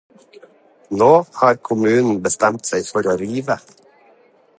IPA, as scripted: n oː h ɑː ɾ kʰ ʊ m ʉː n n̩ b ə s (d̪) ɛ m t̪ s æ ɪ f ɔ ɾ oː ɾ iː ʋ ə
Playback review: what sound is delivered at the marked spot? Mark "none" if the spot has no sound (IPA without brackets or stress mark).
t̪